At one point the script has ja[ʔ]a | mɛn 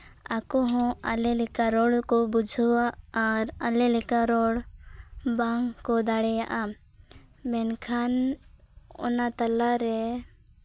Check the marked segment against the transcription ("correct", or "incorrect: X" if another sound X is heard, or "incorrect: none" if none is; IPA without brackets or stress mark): correct